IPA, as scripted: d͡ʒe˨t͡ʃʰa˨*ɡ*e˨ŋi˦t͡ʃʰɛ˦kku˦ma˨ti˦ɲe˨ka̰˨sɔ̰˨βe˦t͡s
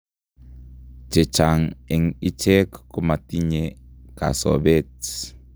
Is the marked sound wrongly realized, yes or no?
yes